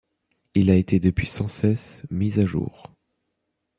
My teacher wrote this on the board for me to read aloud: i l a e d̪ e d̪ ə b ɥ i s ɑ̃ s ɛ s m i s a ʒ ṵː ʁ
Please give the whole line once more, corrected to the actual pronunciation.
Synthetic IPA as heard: i l a e t̪ e d̪ ə p ɥ i s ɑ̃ s ɛ s m i z a ʒ ṵː ʁ